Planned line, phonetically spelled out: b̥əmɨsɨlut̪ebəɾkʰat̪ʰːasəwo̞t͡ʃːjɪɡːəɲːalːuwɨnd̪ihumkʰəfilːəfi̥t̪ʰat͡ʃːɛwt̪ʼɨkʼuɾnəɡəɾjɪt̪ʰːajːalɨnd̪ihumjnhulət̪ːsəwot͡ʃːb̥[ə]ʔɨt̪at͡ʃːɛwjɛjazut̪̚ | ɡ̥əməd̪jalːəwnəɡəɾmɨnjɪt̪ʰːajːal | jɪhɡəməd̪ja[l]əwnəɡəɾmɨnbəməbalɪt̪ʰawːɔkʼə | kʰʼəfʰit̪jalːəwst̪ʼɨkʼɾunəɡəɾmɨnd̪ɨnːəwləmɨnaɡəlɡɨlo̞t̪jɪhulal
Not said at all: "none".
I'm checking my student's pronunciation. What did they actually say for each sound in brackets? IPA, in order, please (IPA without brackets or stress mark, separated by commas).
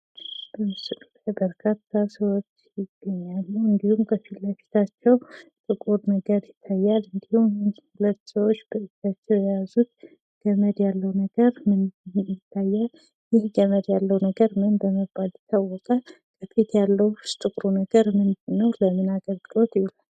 ə, lː